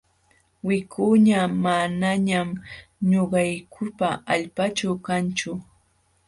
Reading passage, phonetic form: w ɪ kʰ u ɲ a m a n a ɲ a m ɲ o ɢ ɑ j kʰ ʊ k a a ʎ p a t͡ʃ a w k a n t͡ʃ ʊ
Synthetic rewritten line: w ɪ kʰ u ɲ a m a n a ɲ a m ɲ o ɢ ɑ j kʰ ʊ p a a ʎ p a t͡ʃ a w k a n t͡ʃ ʊ